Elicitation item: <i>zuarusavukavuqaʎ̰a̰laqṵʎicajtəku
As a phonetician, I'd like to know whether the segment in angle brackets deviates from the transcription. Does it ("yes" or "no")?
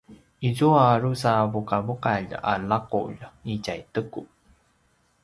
no